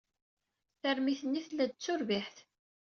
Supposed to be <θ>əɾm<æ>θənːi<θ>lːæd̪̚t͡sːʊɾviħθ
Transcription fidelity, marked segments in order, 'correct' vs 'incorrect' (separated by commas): correct, incorrect, correct